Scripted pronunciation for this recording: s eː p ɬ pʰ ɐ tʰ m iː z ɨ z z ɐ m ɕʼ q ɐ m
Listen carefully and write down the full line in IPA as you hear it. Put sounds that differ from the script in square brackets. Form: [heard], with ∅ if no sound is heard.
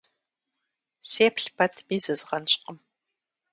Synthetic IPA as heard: s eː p ɬ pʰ ɐ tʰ m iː z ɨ z [ʁ] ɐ [n] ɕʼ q [ə] m